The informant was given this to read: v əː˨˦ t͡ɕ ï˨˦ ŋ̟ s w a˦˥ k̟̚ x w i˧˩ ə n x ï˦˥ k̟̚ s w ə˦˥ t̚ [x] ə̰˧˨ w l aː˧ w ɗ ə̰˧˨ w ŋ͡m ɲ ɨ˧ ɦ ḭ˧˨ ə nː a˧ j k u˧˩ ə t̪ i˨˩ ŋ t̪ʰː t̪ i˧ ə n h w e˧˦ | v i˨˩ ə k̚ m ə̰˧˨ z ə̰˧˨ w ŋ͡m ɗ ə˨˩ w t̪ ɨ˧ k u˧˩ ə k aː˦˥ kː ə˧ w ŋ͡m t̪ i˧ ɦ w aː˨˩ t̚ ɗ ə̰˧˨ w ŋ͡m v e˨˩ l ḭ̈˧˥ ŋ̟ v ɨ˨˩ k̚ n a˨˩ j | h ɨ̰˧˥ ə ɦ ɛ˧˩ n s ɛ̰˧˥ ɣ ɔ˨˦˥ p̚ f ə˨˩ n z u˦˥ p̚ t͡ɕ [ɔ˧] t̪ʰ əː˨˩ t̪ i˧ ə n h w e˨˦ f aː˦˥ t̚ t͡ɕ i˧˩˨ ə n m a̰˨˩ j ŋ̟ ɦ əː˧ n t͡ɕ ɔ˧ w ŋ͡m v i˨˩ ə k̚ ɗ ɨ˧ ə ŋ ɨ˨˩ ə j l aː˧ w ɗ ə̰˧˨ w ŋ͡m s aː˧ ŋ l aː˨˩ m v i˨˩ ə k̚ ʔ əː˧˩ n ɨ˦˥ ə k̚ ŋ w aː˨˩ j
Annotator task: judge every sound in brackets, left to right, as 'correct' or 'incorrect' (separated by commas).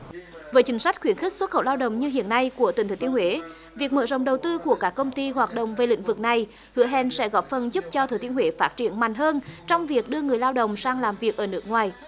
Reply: correct, correct